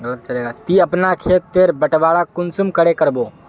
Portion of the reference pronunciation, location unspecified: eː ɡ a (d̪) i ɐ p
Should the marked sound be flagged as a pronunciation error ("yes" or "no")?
yes